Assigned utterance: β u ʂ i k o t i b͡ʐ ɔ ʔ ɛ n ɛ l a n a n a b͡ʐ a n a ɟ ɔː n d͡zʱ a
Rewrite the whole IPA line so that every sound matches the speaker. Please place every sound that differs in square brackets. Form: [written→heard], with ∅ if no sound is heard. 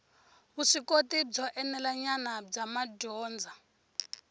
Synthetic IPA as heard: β u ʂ i k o t i b͡ʐ ɔ ʔ ɛ n ɛ l a [n→ɲ] a n a b͡ʐ a [n→m] a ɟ ɔː n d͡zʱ a